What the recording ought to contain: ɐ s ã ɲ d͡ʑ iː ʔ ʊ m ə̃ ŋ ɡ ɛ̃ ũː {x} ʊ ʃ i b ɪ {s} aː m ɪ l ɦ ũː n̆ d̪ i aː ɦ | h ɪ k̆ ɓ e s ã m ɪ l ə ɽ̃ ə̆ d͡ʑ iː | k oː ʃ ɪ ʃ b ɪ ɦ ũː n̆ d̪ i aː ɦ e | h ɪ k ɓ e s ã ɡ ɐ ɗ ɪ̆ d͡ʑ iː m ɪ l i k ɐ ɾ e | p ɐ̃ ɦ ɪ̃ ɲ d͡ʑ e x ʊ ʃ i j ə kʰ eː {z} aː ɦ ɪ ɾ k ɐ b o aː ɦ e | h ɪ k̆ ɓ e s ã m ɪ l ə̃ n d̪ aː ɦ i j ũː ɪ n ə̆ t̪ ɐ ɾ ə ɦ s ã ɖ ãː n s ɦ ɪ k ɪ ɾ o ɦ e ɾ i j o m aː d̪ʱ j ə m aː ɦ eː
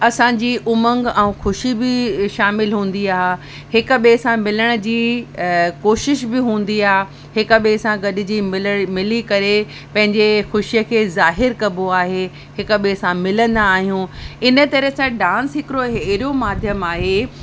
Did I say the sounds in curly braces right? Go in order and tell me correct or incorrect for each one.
correct, incorrect, correct

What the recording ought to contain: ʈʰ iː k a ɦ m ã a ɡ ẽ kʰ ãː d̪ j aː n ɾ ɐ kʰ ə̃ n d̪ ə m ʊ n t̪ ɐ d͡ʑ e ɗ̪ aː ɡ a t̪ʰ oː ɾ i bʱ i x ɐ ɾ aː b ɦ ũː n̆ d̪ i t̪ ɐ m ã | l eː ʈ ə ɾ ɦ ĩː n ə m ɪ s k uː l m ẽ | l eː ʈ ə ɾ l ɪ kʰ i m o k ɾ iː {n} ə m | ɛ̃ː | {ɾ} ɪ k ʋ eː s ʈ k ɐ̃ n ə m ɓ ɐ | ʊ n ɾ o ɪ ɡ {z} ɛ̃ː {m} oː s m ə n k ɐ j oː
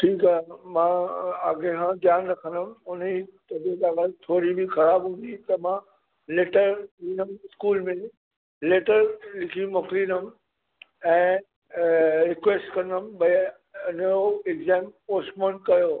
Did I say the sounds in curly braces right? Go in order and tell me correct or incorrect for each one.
correct, correct, correct, correct

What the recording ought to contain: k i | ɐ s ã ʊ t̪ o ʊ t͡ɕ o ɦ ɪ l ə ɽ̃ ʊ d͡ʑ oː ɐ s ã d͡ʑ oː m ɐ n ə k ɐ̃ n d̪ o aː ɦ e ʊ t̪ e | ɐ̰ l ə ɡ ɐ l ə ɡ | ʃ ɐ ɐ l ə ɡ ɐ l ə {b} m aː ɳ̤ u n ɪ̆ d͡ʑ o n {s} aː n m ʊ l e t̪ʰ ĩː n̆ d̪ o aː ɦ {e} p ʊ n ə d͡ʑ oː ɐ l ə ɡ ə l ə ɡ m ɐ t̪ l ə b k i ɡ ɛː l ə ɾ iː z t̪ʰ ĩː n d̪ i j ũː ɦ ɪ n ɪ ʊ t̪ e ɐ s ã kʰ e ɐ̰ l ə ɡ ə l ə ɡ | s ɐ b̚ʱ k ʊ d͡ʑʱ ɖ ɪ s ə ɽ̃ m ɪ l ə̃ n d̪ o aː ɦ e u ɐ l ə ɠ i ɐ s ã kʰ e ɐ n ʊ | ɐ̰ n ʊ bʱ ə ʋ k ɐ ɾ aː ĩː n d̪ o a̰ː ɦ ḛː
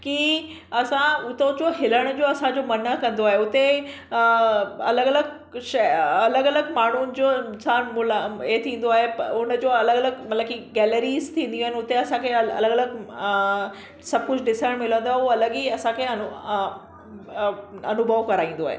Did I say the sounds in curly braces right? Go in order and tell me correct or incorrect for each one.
incorrect, correct, correct

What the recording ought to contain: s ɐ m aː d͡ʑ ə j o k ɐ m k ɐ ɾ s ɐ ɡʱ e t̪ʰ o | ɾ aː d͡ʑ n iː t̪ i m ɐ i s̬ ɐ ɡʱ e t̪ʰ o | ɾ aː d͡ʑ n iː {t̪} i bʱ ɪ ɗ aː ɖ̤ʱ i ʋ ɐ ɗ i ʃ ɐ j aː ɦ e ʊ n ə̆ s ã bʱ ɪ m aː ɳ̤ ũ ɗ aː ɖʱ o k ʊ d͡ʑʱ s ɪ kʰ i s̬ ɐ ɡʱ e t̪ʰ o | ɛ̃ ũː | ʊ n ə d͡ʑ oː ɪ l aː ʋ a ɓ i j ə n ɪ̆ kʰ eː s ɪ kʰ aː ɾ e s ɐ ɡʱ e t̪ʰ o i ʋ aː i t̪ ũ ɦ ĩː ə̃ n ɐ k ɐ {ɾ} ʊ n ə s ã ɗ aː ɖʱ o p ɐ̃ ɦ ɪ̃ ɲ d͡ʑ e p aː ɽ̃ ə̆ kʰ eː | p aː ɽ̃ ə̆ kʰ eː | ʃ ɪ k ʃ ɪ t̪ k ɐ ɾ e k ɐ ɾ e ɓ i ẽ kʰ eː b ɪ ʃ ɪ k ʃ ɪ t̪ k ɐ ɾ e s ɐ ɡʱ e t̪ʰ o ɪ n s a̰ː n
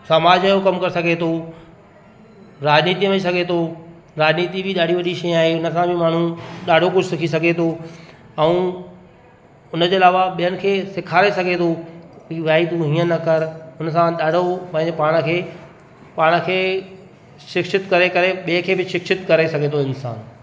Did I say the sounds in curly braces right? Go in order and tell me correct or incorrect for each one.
correct, correct

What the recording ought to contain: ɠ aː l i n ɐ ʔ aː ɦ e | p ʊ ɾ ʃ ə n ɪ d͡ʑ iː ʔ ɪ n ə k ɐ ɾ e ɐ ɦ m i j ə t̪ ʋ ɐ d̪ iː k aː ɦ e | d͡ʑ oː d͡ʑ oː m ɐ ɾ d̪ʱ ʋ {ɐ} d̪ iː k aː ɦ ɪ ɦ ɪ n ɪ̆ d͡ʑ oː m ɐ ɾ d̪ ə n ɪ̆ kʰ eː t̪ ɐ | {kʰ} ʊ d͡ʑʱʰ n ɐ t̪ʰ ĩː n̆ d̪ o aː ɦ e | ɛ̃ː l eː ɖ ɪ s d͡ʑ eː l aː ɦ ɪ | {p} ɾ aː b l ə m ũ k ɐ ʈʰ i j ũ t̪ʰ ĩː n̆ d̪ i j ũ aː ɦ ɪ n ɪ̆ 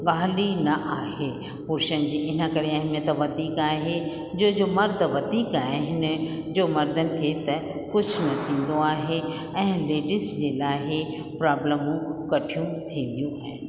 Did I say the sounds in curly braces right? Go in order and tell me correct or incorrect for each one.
correct, incorrect, correct

